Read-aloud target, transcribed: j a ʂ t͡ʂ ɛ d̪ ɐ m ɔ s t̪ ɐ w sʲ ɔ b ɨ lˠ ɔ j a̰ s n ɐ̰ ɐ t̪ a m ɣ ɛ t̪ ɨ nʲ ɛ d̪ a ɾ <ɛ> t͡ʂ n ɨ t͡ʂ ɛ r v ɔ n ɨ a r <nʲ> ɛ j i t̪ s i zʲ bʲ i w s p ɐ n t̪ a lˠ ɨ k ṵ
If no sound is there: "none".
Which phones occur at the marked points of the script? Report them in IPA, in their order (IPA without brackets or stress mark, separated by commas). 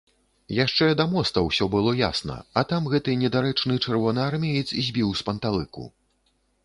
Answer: ɛ, mʲ